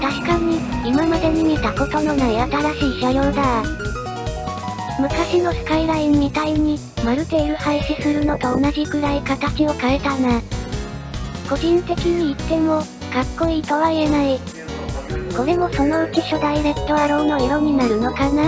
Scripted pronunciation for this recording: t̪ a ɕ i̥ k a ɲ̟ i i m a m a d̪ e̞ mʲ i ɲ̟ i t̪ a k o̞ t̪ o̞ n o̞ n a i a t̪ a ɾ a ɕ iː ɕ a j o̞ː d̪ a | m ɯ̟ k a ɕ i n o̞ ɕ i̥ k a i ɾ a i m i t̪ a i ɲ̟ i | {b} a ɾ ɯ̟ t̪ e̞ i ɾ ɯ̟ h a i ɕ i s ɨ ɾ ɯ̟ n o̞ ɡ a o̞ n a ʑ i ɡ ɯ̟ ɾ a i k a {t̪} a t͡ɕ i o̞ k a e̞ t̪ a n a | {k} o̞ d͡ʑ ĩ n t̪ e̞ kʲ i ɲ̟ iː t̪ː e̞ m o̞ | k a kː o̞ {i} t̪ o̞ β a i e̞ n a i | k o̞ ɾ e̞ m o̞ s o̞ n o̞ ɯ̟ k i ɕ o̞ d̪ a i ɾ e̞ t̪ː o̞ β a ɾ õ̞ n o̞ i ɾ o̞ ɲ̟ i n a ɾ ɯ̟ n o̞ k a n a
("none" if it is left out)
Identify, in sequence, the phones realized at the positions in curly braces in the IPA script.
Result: m, t̪, k, iː

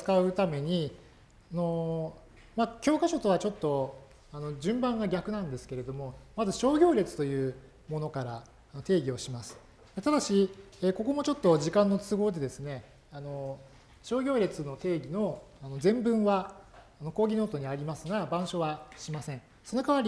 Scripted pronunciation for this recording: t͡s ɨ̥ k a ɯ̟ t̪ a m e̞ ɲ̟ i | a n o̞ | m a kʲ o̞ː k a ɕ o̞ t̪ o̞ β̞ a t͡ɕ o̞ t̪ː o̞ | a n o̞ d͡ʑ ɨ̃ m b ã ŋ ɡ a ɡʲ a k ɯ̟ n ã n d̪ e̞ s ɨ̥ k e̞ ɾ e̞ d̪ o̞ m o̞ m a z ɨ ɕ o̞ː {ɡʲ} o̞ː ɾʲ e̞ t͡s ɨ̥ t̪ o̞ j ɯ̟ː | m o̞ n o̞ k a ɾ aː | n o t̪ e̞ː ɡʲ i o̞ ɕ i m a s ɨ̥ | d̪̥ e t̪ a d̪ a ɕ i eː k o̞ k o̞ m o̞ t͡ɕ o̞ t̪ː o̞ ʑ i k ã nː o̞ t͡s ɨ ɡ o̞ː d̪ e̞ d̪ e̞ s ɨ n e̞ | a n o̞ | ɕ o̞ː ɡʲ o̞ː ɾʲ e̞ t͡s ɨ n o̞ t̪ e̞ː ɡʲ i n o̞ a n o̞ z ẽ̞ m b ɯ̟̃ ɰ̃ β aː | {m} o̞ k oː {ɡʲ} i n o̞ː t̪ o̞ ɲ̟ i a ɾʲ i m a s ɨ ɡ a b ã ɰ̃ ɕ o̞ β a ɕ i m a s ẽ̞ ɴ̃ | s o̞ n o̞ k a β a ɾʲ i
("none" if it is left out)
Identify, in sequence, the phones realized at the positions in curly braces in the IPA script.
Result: ɡʲ, n, ɡʲ

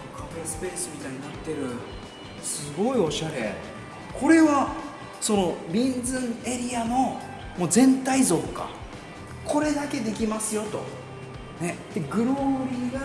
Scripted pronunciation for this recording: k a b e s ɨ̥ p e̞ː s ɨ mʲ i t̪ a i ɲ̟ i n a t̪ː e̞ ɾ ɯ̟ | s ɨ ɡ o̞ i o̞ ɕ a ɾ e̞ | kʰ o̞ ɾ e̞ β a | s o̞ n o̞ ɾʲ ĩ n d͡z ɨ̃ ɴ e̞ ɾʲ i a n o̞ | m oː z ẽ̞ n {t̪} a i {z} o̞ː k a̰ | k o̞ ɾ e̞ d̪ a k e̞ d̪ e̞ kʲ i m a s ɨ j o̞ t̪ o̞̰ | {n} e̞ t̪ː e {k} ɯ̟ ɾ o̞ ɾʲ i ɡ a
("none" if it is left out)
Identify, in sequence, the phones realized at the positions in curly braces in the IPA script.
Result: t̪, z, n, ɡ

